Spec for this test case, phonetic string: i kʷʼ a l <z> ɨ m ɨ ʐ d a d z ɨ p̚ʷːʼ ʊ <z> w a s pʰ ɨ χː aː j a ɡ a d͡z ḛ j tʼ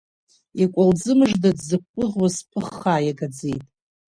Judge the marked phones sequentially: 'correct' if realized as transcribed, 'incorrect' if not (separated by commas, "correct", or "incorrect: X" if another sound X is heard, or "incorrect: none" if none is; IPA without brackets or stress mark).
incorrect: d͡z, incorrect: ʁ